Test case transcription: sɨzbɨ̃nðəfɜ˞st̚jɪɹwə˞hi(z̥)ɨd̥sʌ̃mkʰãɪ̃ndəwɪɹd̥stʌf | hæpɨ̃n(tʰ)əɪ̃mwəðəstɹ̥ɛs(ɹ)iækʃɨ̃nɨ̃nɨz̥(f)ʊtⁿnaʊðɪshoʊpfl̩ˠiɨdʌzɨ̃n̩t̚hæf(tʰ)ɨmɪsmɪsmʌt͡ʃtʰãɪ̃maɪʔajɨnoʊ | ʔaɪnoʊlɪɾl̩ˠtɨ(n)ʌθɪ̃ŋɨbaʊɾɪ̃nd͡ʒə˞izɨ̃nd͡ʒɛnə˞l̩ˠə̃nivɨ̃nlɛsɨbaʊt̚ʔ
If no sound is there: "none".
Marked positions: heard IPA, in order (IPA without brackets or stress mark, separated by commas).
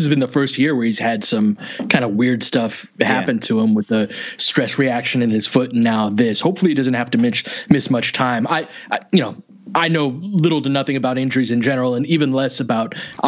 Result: z̥, tʰ, ɹ, f, t, n